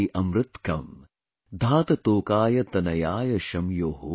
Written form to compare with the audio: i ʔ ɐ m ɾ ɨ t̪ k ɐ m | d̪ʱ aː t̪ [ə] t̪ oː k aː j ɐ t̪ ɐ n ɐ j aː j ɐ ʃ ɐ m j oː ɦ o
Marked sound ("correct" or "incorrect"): incorrect